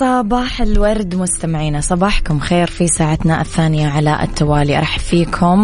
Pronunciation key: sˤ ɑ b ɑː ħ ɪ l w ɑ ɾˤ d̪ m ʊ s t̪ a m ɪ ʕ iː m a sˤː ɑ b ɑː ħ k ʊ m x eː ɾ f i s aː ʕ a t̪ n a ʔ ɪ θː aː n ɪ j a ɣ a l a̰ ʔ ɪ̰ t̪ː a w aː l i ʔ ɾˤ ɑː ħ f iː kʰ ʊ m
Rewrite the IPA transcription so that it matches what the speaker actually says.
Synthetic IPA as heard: sˤ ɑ b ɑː ħ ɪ l w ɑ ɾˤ d̪ m ʊ s t̪ a m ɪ ʕ iː n a sˤ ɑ b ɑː ħ k ʊ m x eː ɾ f i s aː ʕ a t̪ n a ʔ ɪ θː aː n ɪ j a ʕ a l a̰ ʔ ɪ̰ t̪ː a w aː l i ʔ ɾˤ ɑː ħ f iː kʰ ʊ m